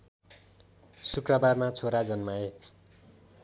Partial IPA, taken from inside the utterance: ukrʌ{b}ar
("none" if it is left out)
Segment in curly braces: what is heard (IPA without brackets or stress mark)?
b